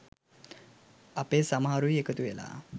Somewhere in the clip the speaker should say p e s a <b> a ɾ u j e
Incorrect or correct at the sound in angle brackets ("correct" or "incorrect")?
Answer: incorrect